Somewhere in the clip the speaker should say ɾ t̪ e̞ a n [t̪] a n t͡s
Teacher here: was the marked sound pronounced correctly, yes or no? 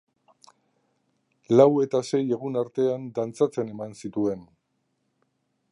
no